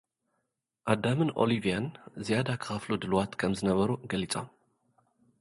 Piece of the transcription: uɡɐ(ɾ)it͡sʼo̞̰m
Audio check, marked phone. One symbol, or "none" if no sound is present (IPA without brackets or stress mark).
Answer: l